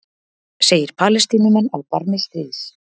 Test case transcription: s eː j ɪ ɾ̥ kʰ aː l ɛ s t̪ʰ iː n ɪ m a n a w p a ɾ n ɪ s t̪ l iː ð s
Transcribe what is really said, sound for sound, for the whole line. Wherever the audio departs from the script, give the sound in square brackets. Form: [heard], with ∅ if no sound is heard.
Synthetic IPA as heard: s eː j ɪ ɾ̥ [pʰ] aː l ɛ s [t̪] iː n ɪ m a n a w p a ɾ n ɪ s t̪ [ɾ] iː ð s